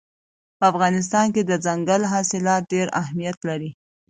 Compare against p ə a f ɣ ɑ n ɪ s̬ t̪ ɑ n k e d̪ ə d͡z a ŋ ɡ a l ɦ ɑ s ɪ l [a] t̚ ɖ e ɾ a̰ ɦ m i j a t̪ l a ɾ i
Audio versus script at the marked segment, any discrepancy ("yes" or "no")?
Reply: yes